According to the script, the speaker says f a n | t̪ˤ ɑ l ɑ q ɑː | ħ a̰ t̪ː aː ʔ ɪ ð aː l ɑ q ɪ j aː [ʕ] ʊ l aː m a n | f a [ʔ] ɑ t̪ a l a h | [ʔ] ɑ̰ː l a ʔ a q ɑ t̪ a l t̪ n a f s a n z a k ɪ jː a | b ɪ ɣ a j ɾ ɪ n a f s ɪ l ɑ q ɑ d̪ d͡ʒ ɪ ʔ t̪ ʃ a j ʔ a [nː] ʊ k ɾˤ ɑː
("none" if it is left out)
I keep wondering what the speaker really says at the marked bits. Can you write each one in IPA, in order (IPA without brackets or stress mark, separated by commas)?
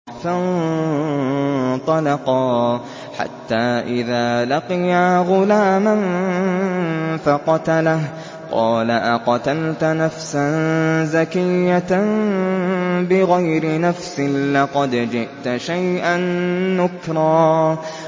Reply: ɣ, q, q, nː